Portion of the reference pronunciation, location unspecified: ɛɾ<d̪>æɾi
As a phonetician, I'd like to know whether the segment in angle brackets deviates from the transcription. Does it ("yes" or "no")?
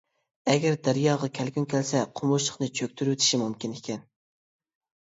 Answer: no